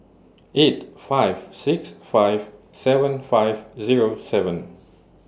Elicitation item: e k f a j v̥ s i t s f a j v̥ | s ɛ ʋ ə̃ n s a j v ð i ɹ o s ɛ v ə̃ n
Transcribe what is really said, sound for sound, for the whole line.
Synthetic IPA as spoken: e t f a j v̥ s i k s f a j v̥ | s ɛ v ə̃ n f a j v z i ɹ o s ɛ v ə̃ n